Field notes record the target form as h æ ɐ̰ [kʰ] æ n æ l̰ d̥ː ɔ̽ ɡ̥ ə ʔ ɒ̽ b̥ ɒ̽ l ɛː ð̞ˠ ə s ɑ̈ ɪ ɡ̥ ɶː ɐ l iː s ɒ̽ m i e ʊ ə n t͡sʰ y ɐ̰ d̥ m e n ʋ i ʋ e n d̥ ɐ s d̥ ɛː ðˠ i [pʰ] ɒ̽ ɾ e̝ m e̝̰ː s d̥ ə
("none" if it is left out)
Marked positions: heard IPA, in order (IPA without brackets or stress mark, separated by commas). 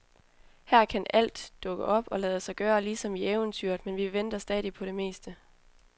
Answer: kʰ, pʰ